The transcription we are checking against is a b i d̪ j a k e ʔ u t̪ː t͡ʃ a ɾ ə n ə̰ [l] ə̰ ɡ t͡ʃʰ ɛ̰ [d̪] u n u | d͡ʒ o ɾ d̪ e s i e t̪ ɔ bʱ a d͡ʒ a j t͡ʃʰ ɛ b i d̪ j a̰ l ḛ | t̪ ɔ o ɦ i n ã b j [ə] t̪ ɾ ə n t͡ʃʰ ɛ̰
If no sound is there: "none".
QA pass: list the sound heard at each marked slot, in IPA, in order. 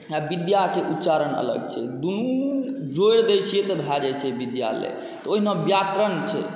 l, d̪, a

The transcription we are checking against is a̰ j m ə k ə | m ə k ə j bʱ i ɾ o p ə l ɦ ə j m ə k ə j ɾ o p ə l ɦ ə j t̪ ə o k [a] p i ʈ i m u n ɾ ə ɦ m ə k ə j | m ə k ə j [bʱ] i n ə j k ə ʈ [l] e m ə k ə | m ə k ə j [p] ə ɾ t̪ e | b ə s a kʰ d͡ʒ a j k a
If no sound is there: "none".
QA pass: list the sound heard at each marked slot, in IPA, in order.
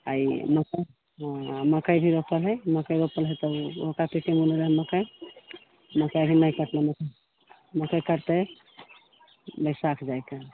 a, bʱ, l, k

